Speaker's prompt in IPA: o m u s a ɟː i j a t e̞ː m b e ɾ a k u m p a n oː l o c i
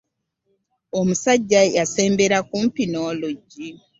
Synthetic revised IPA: o m u s a ɟː a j a s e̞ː m b e ɾ a k u m p i n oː l o ɟ i